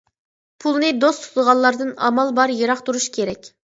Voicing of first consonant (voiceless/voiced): voiceless